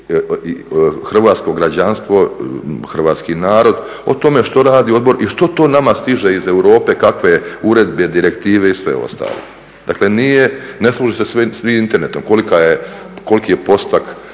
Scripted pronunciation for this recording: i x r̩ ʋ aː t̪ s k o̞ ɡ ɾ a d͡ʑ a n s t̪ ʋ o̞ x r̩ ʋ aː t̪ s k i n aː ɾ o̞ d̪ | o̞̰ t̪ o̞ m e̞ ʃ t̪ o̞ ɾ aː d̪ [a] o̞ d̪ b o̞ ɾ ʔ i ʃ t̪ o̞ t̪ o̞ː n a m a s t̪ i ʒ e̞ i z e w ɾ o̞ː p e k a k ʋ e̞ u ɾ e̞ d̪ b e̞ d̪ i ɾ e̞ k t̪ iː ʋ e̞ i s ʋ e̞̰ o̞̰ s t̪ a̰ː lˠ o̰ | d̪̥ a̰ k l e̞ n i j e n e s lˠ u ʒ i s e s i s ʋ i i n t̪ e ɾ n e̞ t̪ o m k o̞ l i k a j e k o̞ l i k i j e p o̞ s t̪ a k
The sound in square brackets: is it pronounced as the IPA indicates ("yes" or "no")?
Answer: no